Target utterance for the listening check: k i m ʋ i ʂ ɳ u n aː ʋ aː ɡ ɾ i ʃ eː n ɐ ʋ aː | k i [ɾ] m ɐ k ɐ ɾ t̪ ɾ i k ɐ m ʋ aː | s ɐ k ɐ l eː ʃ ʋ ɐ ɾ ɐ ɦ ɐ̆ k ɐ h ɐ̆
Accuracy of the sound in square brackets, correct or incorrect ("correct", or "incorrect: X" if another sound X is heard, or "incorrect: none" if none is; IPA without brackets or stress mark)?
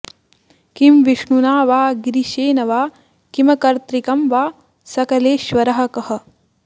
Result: incorrect: none